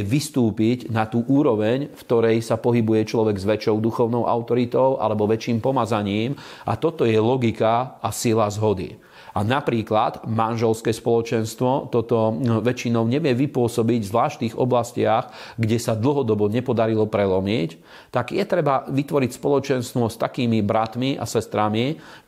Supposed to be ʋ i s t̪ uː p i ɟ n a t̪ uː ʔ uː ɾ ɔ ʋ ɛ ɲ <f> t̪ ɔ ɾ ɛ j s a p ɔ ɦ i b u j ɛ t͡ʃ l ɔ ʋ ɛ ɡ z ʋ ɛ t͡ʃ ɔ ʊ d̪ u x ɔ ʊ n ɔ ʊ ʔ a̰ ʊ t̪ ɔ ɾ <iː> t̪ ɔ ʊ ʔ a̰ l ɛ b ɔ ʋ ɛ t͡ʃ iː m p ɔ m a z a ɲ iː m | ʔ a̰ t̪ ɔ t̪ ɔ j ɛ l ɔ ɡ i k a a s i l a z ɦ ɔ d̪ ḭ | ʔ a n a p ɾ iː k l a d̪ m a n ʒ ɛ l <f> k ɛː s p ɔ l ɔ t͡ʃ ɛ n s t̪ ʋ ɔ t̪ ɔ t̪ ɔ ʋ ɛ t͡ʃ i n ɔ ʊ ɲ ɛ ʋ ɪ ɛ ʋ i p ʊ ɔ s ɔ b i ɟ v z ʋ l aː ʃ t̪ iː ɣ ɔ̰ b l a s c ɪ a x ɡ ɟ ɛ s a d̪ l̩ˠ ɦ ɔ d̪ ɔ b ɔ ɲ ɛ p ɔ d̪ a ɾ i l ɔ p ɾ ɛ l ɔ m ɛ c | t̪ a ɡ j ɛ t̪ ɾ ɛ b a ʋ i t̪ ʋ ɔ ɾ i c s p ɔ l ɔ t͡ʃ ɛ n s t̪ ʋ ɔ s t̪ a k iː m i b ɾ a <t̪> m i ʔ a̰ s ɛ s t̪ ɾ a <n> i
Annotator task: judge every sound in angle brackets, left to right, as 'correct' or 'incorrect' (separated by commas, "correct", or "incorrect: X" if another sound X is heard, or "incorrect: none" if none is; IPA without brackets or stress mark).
correct, incorrect: i, incorrect: s, correct, incorrect: m